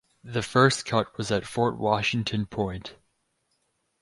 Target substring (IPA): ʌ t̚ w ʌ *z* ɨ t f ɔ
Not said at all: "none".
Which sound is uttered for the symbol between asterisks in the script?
z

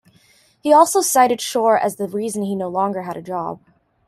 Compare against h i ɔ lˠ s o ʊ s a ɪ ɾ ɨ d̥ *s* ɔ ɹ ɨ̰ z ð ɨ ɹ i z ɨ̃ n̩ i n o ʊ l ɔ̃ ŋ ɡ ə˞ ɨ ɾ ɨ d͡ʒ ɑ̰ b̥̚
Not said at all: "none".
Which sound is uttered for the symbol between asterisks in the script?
ʃ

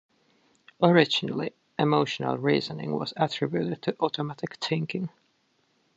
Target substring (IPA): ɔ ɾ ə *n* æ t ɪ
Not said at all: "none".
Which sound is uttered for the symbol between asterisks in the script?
m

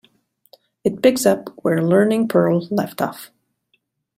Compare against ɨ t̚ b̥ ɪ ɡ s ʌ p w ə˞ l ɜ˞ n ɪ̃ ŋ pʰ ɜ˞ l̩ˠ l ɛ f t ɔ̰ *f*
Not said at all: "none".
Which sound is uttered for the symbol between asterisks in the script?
f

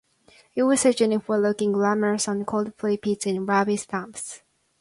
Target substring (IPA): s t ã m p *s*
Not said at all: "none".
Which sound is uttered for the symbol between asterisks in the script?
s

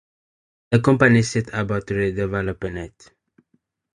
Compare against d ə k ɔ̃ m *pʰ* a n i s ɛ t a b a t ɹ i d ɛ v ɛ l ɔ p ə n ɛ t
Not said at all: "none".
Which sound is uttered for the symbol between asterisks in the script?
p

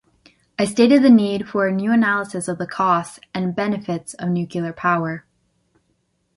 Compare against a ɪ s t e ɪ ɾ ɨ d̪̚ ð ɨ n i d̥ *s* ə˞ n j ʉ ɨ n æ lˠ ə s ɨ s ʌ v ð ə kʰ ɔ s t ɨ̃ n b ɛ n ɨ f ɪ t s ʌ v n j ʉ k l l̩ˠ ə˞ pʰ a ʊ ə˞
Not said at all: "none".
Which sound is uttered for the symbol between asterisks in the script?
f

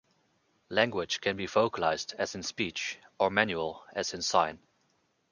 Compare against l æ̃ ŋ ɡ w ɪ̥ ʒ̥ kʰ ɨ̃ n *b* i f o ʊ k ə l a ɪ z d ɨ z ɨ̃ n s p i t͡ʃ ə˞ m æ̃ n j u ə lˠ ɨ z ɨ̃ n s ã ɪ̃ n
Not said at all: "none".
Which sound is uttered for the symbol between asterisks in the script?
b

